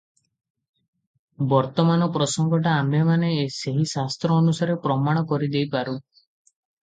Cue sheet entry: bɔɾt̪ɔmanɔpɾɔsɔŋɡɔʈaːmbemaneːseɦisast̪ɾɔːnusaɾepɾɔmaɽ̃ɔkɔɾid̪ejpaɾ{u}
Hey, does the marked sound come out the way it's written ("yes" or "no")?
yes